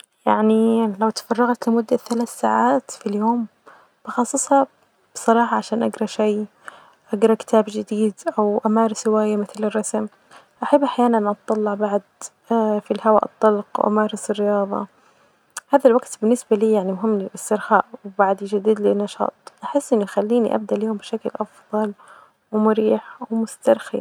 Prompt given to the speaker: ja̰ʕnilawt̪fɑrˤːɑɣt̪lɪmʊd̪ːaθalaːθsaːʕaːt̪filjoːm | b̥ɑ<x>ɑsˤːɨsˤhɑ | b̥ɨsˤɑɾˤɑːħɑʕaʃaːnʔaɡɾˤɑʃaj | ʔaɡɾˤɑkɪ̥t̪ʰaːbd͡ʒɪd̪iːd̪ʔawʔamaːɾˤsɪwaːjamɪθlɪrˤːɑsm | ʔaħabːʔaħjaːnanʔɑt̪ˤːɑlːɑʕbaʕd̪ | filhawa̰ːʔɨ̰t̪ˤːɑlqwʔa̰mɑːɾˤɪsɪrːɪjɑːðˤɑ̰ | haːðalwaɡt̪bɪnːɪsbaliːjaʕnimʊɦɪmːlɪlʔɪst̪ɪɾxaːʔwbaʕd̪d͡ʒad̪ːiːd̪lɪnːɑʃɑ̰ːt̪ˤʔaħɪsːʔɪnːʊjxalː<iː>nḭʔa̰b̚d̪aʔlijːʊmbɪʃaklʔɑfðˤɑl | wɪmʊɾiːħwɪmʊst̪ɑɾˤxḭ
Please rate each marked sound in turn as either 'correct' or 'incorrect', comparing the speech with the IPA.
correct, correct

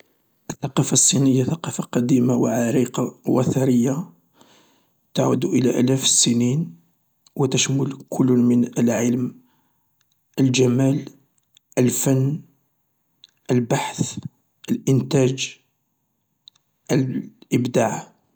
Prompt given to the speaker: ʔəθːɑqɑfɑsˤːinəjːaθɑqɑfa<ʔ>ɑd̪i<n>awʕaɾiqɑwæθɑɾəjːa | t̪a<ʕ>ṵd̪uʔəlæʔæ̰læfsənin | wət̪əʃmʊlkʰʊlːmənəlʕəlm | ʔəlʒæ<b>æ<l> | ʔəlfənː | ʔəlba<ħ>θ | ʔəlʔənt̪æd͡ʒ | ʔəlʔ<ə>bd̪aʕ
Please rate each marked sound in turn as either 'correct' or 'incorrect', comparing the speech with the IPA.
incorrect: q, incorrect: m, correct, incorrect: m, correct, correct, correct

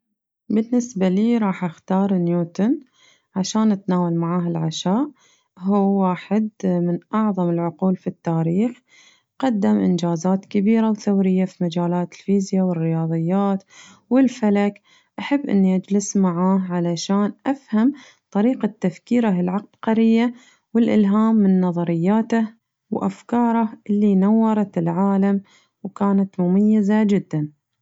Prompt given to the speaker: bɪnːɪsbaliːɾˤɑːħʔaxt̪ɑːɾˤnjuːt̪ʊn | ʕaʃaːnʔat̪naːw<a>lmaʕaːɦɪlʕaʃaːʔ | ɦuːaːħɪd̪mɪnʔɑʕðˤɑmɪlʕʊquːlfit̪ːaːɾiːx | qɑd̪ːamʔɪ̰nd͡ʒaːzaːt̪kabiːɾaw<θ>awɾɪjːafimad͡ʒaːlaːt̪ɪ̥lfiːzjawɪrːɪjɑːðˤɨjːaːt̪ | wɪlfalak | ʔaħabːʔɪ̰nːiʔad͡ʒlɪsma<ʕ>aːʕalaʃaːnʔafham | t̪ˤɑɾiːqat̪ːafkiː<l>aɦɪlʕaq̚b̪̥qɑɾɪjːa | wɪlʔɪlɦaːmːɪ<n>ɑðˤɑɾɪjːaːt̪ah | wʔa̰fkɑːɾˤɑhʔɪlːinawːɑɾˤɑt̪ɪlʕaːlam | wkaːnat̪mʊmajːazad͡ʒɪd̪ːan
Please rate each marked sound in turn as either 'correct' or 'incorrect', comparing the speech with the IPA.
correct, correct, correct, incorrect: ɾ, incorrect: nː

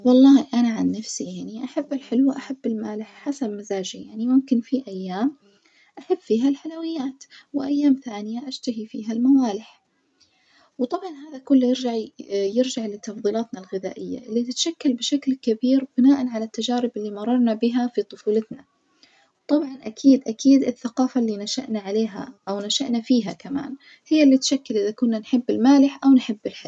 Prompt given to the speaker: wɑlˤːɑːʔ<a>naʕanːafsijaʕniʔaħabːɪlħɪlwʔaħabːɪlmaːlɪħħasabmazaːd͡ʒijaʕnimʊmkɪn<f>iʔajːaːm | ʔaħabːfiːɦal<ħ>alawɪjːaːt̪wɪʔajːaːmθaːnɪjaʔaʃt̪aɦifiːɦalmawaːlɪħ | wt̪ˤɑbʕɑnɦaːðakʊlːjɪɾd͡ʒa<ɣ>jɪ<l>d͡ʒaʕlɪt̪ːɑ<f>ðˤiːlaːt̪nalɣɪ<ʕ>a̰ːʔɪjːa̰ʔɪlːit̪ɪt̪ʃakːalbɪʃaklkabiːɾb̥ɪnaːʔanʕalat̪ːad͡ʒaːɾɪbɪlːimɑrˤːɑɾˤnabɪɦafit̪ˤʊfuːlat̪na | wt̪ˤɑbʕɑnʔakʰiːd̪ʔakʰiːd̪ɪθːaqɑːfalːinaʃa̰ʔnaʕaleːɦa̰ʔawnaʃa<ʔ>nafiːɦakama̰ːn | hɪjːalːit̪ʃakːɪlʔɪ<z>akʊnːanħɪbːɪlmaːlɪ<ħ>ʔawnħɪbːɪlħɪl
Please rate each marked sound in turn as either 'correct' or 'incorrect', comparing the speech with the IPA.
correct, correct, correct, incorrect: ʕ, incorrect: ɾ, correct, incorrect: ð, correct, incorrect: ð, correct

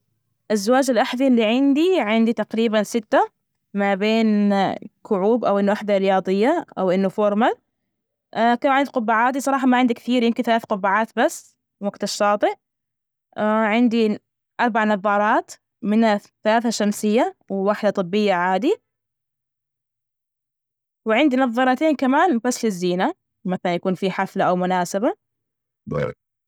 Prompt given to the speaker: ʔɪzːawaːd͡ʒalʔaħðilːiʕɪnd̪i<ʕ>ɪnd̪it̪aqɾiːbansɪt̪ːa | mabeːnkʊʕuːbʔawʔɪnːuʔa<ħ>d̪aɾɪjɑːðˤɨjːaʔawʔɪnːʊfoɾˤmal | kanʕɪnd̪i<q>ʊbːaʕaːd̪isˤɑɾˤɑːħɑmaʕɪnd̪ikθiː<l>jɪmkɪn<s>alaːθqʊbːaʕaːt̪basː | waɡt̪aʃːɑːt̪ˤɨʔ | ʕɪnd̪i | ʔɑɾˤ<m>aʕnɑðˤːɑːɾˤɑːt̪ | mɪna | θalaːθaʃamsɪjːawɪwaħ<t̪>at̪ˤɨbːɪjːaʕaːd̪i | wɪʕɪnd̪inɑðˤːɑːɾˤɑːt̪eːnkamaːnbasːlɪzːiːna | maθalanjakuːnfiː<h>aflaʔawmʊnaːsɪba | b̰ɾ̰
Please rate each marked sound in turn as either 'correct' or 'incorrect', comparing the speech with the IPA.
correct, correct, correct, incorrect: ɾ, incorrect: θ, incorrect: b, incorrect: d̪, incorrect: ħ

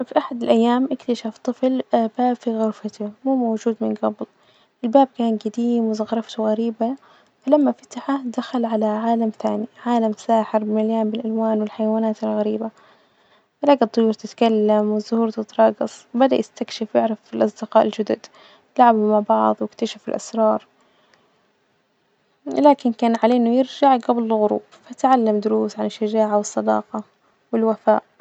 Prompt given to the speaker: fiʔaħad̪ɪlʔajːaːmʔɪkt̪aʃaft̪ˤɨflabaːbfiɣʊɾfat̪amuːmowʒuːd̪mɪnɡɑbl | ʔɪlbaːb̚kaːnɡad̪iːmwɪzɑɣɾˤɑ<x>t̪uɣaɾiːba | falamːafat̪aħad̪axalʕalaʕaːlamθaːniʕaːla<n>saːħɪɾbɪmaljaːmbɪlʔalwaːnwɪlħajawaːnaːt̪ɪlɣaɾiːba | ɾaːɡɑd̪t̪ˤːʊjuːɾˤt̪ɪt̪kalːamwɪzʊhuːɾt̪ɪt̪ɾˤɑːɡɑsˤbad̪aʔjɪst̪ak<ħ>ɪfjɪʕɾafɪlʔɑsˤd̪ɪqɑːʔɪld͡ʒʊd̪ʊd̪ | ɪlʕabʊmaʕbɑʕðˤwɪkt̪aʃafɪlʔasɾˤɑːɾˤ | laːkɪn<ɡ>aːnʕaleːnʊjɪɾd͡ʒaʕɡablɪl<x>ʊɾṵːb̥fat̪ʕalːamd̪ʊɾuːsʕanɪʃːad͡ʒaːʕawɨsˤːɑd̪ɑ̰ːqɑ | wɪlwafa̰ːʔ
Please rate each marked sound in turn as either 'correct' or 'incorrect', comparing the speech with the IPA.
incorrect: f, incorrect: m, incorrect: ʃ, incorrect: k, incorrect: ɣ

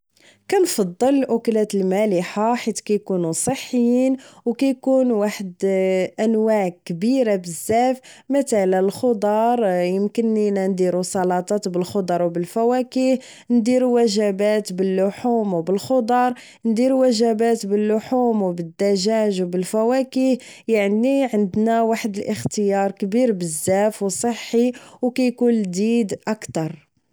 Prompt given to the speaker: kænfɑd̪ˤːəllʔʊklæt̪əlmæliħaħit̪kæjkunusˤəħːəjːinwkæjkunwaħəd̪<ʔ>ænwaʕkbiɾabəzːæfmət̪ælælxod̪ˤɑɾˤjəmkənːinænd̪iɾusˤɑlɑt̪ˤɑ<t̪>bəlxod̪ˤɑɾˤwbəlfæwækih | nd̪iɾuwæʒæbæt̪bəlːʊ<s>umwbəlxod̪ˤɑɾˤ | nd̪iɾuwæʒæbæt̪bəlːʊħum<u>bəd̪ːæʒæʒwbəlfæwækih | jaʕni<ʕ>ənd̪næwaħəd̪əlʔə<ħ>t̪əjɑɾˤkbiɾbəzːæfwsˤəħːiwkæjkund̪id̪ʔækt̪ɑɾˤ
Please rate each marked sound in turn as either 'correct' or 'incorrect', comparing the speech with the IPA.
correct, correct, incorrect: ħ, incorrect: w, correct, incorrect: x

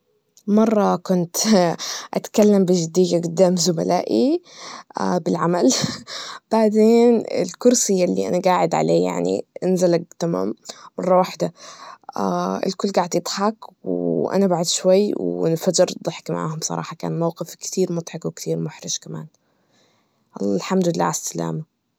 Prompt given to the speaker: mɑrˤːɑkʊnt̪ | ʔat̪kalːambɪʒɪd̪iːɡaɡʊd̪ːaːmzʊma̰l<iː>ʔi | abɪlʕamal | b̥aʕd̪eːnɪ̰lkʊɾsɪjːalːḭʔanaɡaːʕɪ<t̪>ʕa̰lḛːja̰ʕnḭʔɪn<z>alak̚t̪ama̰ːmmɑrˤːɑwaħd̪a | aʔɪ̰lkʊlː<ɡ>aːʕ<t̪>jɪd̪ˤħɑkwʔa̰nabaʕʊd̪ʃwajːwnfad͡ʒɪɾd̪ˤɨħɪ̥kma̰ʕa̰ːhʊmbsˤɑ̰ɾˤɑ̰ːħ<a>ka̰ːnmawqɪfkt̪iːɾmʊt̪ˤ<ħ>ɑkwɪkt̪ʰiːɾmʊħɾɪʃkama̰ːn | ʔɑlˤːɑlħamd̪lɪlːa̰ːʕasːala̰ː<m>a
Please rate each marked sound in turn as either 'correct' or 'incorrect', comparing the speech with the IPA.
incorrect: aː, incorrect: d̪, correct, correct, incorrect: d̪, incorrect: ɑ, correct, correct

